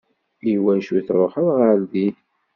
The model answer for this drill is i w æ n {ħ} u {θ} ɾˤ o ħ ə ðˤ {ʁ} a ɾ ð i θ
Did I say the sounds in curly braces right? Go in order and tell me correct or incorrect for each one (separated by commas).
incorrect, correct, correct